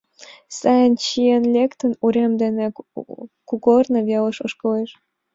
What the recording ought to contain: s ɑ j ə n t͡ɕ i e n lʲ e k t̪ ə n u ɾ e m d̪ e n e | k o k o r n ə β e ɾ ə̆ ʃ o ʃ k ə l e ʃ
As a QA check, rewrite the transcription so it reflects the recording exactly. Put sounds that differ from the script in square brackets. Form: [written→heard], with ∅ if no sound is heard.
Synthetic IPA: s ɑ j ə n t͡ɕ i e n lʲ e k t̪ ə n u ɾ e m d̪ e n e | k [o→u] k o r n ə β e [ɾ→l] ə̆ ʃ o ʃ k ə l e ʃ